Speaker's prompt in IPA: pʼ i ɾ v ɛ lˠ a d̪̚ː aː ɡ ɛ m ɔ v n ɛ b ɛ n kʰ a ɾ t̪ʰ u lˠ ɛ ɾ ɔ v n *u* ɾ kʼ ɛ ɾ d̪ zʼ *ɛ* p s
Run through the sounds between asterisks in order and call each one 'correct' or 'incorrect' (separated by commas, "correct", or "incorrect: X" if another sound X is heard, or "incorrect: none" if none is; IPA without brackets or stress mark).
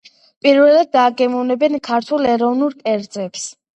correct, correct